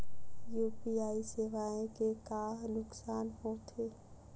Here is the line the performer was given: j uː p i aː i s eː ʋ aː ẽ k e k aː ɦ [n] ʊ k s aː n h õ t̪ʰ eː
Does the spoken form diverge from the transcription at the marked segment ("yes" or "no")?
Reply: no